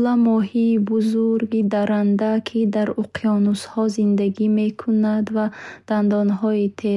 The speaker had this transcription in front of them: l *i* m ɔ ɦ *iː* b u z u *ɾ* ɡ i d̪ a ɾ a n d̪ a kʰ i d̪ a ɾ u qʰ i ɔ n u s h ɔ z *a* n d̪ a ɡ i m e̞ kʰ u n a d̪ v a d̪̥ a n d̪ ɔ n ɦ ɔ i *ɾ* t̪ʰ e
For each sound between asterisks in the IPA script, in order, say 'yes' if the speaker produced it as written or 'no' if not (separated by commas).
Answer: no, yes, yes, no, no